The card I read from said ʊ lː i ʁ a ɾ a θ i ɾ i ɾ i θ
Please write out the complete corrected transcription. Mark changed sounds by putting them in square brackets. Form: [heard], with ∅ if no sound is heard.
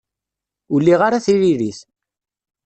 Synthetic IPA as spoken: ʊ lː i ʁ a ɾ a θ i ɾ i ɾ i θ